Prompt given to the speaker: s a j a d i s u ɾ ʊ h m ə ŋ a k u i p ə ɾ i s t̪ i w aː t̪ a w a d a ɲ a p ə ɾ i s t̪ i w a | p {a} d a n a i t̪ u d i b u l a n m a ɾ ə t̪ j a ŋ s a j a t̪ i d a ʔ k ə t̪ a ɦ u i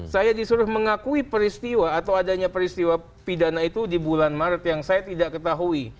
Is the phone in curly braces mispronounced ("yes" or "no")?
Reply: yes